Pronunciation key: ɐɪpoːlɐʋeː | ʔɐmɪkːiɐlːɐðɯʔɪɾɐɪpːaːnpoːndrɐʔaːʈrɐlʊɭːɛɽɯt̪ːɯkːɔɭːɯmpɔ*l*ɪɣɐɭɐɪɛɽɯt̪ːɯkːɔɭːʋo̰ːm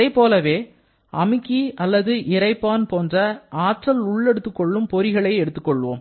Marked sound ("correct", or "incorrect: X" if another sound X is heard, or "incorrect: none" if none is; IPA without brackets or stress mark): incorrect: ɾ